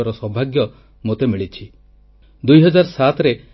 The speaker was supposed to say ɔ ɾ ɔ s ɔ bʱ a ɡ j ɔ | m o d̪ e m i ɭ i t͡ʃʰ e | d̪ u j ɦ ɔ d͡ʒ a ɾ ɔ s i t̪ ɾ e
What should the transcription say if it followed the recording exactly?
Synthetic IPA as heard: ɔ ɾ ɔ s ɔ bʱ a ɡ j ɔ | m o t̪ e m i ɭ i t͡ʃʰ i | d̪ u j ɦ ɔ d͡ʒ a ɾ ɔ s a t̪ ɾ e

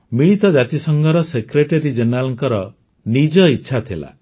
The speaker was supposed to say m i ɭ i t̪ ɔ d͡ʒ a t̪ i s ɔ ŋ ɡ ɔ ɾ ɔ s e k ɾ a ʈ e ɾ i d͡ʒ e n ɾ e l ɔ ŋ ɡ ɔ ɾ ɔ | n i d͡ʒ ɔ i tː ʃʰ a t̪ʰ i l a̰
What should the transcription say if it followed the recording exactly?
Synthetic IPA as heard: m i ɭ i t̪ ɔ d͡ʒ a t̪ i s ɔ ŋ ɡ ɔ ɾ ɔ s e k ɾ e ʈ e ɾ i d͡ʒ e n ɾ a l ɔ ŋ k ɔ ɾ ɔ | n i d͡ʒ ɔ i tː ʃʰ a t̪ʰ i l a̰

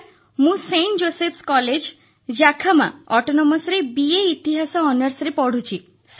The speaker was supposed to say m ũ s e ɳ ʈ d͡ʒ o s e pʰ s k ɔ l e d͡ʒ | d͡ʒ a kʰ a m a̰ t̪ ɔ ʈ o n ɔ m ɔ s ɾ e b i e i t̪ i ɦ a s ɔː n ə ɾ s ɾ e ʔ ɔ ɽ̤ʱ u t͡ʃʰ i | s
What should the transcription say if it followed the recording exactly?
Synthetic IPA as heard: m ũ s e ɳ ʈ d͡ʒ o s e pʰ s k ɔ l e d͡ʒ | d͡ʒ a kʰ a m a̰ ɔ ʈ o n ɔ m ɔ s ɾ e b i e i t̪ i ɦ a s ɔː n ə ɾ s ɾ e p ɔ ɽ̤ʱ u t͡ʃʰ i | s

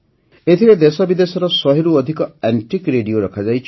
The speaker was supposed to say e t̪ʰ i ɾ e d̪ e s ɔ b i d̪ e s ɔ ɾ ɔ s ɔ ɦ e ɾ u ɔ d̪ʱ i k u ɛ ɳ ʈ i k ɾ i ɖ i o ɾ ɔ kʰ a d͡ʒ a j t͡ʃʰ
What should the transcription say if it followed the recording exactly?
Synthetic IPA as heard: e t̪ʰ i ɾ e d̪ e s ɔ b i d̪ e s ɔ ɾ ɔ s ɔ ɦ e ɾ u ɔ d̪ʱ i k ɔ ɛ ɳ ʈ i k ɾ e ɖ i o ɾ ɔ kʰ a d͡ʒ a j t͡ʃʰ

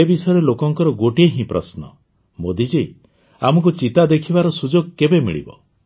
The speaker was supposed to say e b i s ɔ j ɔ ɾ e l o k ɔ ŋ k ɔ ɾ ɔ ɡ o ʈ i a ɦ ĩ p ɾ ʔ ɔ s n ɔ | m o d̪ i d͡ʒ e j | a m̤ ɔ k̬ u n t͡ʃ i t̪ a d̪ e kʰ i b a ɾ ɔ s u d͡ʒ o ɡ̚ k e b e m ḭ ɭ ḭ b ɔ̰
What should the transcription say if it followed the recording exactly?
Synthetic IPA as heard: e b i s ɔ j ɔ ɾ e l o k ɔ ŋ k ɔ ɾ ɔ ɡ o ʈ i e ɦ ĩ p ɾ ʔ ɔ s n ɔ | m o d̪ i d͡ʒ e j | a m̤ ɔ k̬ u t͡ʃ i t̪ a d̪ e kʰ i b a ɾ ɔ s u d͡ʒ o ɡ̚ k e b e m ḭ ɭ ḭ b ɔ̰

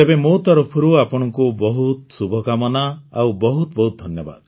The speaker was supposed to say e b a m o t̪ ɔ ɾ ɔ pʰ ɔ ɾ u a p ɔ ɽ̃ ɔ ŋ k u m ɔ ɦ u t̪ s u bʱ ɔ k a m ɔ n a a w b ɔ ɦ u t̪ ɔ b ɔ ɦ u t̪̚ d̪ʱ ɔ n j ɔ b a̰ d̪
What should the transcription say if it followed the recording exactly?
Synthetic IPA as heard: e b e m o t̪ ɔ ɾ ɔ pʰ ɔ ɾ u a p ɔ ɽ̃ ɔ ŋ k u b ɔ ɦ u t̪ s u bʱ ɔ k a m ɔ n a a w b ɔ ɦ u t̪ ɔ b ɔ ɦ u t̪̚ d̪ʱ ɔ n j ɔ b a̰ d̪

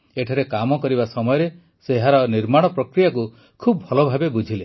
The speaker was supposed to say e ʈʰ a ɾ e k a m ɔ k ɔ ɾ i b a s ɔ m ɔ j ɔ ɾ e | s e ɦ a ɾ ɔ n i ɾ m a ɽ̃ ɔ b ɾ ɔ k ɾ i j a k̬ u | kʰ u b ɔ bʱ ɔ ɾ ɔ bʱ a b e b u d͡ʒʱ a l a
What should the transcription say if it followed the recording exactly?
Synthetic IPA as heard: e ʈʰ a ɾ e k a m ɔ k ɔ ɾ i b a s ɔ m ɔ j ɔ ɾ e | s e ɦ a ɾ ɔ n i ɾ m a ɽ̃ ɔ p ɾ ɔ k ɾ i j a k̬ u | kʰ u b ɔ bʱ ɔ l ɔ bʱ a b e b u d͡ʒʱ i l e

